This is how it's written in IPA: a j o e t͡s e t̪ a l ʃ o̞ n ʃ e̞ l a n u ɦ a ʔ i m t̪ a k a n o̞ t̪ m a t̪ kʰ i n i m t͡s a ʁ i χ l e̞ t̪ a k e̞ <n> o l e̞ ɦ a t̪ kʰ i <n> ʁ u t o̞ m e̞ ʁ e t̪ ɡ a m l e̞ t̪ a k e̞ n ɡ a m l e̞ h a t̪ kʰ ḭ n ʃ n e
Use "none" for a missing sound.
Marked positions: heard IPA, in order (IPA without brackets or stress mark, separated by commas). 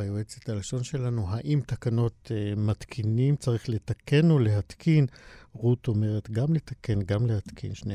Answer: n, n